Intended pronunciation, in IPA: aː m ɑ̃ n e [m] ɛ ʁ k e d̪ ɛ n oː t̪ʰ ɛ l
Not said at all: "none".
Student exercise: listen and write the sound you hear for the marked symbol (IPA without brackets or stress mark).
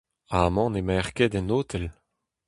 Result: m